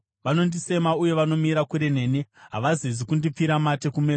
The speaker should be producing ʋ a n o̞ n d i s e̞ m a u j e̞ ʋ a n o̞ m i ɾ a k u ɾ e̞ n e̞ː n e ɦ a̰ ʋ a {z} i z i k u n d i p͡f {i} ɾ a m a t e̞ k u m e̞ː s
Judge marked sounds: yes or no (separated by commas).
yes, yes